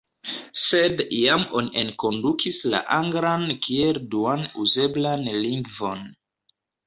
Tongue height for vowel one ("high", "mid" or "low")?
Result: mid